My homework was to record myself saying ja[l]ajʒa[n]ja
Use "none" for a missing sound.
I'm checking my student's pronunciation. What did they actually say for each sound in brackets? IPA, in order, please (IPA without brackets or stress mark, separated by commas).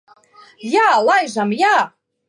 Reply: l, m